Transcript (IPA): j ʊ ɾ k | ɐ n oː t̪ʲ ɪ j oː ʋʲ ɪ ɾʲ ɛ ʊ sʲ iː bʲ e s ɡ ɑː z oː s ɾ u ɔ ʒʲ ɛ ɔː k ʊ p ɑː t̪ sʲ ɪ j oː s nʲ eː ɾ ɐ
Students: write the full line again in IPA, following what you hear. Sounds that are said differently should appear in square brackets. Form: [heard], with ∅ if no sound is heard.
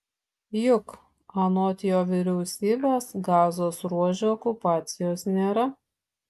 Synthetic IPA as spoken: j ʊ [∅] k | ɐ n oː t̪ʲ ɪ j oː ʋʲ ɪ ɾʲ ɛ ʊ sʲ iː bʲ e s ɡ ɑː z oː s ɾ u ɔ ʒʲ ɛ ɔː k ʊ p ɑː t̪ sʲ ɪ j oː s nʲ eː ɾ ɐ